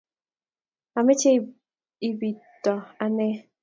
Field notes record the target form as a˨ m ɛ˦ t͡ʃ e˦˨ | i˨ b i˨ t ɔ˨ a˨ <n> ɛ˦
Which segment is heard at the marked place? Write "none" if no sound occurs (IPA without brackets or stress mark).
n